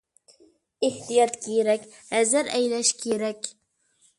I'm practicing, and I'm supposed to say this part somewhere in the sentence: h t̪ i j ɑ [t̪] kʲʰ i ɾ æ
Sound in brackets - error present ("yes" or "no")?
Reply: no